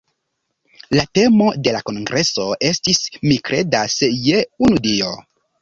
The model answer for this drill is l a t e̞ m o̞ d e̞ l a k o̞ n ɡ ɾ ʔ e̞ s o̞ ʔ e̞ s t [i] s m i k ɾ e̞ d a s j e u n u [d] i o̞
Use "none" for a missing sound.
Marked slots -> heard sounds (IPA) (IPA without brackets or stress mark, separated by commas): i, d